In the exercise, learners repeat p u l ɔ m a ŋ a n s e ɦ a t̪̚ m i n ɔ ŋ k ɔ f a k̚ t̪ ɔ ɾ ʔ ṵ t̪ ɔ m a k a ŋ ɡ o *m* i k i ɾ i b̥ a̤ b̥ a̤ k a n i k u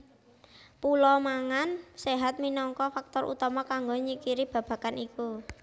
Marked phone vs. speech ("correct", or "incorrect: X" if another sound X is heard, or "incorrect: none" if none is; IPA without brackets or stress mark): incorrect: ɲ